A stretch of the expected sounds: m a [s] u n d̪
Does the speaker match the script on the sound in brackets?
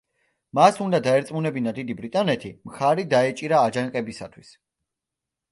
yes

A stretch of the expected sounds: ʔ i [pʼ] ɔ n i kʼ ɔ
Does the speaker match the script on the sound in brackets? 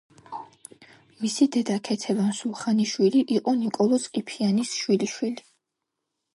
no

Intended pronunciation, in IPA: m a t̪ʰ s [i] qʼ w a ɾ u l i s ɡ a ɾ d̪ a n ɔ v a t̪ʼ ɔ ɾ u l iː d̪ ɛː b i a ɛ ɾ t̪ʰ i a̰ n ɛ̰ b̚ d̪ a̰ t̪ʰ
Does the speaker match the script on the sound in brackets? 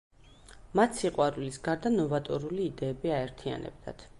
yes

